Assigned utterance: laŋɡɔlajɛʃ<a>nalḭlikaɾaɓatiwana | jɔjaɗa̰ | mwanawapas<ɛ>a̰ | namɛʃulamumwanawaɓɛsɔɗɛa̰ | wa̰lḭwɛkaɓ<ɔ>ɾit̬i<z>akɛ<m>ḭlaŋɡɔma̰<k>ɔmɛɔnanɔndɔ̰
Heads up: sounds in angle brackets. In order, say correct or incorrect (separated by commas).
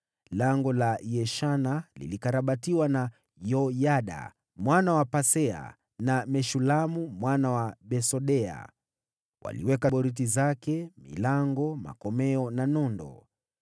correct, correct, correct, correct, correct, correct